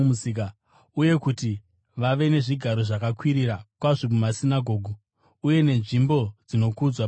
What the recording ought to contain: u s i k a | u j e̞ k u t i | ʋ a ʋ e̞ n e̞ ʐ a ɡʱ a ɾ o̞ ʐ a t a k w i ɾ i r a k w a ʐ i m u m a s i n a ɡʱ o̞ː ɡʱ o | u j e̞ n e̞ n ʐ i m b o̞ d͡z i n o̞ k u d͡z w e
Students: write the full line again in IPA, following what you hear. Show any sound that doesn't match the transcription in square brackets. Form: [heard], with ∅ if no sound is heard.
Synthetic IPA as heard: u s i k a | u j e̞ k u t i | ʋ a ʋ e̞ n e̞ ʐ [i] ɡʱ a ɾ o̞ ʐ a [k] a k w i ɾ i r a k w a ʐ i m u m a s i n a ɡʱ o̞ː ɡʱ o | u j e̞ n e̞ n ʐ i m b o̞ d͡z i n o̞ k u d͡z w [a]